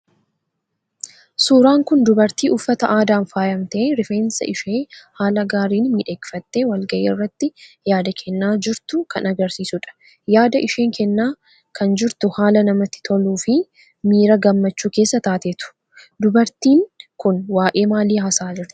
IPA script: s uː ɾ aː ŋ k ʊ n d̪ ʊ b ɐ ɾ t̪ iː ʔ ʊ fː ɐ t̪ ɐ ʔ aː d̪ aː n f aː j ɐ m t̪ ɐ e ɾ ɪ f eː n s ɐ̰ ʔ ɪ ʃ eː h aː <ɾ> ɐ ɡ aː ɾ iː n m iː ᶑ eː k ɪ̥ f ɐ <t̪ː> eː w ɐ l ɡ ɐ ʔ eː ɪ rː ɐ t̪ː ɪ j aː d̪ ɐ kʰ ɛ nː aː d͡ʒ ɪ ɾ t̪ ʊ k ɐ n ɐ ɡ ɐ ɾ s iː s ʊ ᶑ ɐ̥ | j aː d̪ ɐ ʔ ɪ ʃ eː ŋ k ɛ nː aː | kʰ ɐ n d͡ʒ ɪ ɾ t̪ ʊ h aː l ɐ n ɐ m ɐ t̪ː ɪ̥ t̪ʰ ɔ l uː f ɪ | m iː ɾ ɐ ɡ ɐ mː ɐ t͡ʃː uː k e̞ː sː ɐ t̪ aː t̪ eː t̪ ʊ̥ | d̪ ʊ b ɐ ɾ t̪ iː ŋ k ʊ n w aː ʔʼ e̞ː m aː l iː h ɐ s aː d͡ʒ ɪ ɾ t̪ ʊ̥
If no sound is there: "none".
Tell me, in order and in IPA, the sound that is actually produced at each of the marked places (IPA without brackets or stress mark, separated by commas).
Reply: l, t̪ː